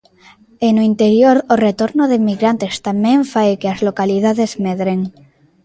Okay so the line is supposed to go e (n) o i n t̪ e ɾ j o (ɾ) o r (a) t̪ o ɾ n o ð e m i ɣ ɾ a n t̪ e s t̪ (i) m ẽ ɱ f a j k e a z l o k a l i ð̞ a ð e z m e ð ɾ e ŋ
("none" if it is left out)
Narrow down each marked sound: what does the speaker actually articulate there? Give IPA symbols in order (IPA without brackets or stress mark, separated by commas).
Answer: n, ɾ, e, a